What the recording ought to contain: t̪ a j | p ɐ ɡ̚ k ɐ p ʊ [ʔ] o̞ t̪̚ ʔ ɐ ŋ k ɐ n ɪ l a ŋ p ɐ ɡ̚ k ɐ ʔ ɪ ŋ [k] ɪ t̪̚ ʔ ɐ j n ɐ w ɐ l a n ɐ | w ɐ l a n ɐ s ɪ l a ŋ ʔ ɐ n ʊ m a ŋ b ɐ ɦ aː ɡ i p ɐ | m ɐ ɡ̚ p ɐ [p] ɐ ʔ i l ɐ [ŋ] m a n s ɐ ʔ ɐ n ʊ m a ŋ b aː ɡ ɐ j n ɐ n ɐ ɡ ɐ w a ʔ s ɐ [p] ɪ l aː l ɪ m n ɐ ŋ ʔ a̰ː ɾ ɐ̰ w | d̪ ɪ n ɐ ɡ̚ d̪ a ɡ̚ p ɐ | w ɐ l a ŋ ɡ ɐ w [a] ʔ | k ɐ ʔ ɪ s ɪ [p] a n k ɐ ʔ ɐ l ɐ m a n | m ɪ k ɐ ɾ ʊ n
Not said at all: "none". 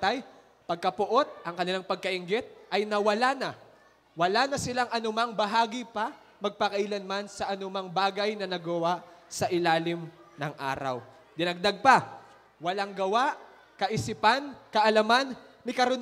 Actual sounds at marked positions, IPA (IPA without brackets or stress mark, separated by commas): ʔ, ɡ, k, n, ʔ, a, p